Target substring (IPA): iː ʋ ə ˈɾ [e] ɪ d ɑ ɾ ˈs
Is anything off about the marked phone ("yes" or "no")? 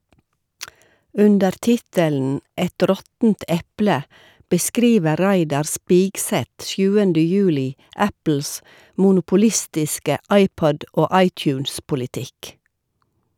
yes